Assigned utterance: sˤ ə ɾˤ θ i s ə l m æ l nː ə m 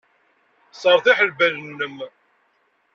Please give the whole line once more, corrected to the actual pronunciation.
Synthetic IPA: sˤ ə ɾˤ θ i ħ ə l b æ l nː ə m